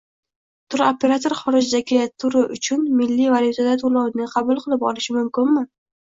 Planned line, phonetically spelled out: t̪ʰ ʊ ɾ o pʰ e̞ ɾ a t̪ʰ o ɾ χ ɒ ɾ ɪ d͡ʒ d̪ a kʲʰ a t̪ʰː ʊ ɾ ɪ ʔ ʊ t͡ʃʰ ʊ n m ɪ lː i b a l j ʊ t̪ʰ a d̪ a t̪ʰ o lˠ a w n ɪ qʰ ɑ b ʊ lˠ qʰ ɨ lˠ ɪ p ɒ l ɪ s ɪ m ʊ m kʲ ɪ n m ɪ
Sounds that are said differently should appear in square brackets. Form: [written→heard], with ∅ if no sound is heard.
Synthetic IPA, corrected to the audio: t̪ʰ ʊ ɾ o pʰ e̞ ɾ a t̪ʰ o ɾ χ ɒ ɾ ɪ d͡ʒ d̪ a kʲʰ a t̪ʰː ʊ ɾ ɪ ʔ ʊ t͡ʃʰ ʊ n m ɪ lː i [b→v] a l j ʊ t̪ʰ a d̪ a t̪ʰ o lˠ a w n ɪ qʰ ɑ b ʊ lˠ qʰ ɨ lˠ ɪ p ɒ l ɪ [s→ʃ] ɪ m ʊ m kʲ ɪ n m ɪ